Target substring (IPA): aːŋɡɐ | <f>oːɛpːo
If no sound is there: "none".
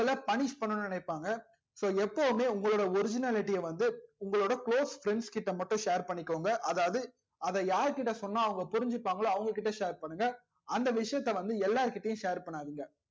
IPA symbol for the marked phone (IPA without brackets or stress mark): s